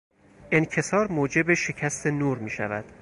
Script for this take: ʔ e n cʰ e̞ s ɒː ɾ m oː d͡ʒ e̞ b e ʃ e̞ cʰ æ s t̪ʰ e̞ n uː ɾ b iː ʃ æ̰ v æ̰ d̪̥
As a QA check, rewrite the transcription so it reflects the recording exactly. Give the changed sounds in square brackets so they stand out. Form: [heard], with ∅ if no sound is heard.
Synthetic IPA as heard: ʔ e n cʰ e̞ s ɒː ɾ m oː d͡ʒ e̞ b e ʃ e̞ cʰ æ s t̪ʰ e̞ n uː ɾ [m] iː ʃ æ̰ v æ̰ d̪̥